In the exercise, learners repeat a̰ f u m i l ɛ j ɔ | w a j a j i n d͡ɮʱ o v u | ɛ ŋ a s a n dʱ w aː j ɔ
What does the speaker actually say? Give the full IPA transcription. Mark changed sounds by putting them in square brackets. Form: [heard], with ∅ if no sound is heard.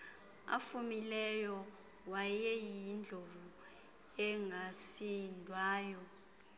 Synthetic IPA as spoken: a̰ f u m i l ɛ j ɔ | w a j [ɛ] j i n d͡ɮʱ o v u | ɛ ŋ a s [i] n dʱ w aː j ɔ